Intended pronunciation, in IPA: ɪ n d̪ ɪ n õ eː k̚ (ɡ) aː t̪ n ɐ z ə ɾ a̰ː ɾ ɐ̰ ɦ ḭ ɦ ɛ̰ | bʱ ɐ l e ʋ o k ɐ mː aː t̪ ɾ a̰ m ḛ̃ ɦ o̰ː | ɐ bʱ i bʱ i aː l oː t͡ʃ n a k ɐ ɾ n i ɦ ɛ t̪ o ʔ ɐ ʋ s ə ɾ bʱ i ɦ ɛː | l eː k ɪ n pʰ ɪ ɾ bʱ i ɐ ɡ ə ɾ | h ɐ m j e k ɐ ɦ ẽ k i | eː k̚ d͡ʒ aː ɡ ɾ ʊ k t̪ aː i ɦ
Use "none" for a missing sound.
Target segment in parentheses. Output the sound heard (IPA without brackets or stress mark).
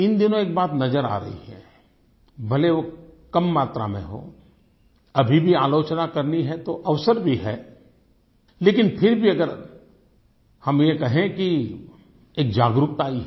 b